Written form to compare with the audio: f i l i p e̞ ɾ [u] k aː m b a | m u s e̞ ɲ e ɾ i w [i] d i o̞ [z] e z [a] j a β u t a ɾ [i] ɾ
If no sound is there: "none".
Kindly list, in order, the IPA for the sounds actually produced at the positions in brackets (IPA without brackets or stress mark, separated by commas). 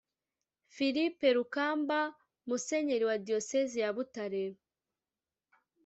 u, a, s, i, e